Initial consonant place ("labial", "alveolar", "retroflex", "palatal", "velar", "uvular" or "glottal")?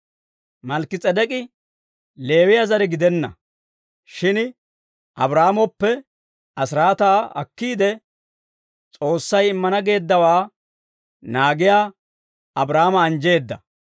labial